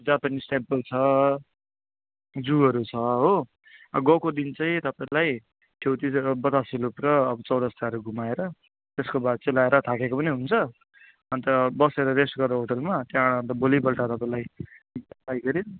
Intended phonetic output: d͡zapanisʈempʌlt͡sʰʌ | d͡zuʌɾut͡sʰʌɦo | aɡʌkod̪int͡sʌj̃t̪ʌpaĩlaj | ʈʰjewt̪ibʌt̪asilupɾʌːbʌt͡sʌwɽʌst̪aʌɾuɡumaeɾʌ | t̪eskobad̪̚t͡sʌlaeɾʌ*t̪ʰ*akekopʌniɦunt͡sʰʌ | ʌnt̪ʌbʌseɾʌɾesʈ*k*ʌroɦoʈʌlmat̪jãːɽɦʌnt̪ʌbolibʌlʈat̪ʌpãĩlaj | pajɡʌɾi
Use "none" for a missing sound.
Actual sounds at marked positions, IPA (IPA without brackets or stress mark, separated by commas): t̪ʰ, ɡ